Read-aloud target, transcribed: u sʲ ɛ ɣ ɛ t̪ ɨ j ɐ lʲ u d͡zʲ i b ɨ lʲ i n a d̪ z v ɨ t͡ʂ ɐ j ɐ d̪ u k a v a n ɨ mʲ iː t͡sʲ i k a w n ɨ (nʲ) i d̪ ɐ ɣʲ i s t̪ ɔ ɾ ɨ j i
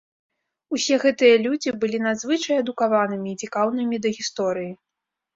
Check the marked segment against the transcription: incorrect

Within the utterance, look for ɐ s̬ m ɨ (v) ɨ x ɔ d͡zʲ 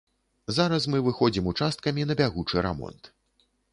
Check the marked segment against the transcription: correct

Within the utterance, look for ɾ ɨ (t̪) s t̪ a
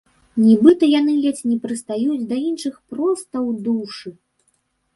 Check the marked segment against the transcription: incorrect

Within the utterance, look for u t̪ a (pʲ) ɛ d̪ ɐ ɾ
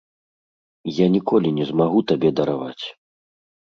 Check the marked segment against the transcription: incorrect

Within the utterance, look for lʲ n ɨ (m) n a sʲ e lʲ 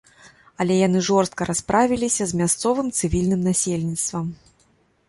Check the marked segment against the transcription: correct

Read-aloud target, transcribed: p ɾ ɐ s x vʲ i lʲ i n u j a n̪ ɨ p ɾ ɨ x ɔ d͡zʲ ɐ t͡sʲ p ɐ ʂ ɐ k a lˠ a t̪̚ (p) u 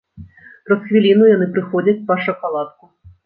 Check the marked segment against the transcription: incorrect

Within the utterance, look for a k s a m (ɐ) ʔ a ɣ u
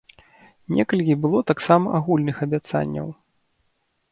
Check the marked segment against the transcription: correct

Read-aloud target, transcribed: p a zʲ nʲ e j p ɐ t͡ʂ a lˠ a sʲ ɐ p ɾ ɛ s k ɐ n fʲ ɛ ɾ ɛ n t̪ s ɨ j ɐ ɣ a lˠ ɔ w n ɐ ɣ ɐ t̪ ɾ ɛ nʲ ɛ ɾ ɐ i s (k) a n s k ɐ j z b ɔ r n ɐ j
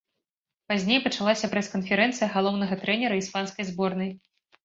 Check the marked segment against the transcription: incorrect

